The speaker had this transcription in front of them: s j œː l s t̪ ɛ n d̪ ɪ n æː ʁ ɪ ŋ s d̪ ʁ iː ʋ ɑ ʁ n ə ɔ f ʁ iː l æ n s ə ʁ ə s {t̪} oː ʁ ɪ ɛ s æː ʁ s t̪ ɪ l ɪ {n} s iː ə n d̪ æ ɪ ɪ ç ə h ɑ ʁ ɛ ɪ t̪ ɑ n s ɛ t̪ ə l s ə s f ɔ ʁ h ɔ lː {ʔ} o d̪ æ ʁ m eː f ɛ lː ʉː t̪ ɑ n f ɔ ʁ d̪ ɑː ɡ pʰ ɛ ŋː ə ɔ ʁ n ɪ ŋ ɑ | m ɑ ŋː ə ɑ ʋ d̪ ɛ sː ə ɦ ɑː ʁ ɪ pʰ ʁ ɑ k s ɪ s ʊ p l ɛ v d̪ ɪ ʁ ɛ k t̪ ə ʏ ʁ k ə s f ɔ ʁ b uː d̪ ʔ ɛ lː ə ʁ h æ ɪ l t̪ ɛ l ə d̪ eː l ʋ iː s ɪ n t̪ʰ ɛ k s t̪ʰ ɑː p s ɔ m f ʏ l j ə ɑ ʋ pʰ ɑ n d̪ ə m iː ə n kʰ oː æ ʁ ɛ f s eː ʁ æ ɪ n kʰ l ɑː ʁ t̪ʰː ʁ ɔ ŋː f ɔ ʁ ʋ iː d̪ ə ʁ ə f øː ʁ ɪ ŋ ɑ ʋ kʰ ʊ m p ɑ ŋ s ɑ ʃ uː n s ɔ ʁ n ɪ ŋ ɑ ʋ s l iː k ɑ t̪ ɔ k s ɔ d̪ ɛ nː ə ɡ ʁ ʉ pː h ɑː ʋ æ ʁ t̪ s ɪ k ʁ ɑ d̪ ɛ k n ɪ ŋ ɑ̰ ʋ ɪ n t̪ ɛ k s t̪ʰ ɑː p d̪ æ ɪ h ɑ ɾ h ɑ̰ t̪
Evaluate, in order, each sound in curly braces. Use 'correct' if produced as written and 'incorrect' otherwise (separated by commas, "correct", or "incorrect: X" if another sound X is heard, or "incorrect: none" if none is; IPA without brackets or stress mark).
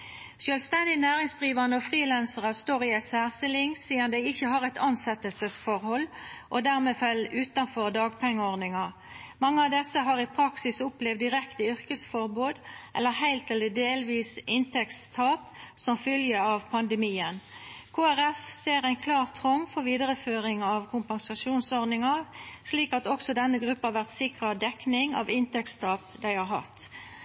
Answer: correct, incorrect: ŋ, correct